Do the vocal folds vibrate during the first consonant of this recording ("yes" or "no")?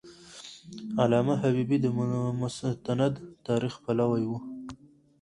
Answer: yes